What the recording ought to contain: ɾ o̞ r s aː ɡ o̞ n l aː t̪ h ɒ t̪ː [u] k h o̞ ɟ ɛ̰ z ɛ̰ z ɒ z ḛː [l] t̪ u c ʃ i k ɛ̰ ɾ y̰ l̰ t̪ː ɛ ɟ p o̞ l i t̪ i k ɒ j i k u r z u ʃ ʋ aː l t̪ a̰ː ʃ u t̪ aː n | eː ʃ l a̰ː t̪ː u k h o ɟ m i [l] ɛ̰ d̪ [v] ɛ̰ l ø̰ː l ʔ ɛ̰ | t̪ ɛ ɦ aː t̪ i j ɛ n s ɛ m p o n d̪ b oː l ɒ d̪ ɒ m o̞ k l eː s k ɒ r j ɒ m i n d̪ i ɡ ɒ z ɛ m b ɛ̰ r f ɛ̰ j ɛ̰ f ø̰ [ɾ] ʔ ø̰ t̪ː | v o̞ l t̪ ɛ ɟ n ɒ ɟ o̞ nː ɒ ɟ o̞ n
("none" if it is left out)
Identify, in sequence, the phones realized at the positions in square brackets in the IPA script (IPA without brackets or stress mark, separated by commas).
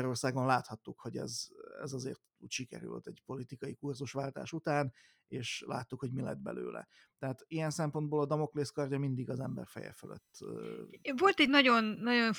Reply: u, r, l, b, l